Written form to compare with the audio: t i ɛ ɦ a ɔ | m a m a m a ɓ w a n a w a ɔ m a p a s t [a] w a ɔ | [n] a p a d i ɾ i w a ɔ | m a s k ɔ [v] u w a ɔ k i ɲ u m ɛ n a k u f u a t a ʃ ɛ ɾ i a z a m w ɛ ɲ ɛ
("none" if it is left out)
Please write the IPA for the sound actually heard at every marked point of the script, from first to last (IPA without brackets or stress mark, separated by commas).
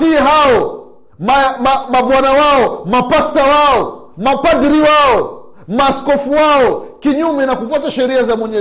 a, m, f